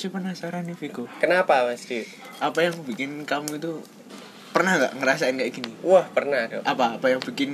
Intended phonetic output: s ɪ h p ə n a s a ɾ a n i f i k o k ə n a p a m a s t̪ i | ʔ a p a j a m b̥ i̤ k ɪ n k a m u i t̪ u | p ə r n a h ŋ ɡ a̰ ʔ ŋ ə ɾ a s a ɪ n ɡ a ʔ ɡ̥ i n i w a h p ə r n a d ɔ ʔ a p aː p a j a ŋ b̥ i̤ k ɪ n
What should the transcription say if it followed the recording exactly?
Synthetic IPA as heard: s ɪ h p ə n a s a ɾ a n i f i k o k ə n a p a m a s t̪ i | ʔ a p a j a ŋ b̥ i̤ k ɪ n k a m u i t̪ u | p ə r n a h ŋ ɡ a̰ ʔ ŋ ə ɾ a s a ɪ n ɡ a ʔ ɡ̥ i n i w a h p ə r n a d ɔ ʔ a p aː p a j a ŋ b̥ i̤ k ɪ n